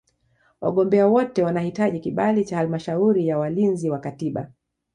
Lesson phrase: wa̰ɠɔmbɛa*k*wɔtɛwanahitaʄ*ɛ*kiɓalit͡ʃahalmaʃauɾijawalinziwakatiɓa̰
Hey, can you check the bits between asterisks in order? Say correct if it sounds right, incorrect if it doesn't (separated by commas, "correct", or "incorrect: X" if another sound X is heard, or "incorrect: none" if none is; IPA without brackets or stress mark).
incorrect: none, incorrect: i